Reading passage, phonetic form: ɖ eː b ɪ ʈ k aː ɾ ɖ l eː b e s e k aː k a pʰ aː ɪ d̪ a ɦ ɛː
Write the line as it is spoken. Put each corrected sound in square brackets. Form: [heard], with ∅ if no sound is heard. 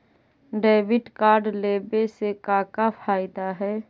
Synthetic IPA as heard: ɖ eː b ɪ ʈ k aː ɾ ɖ l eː b e s e k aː k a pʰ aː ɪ d̪ a ɦ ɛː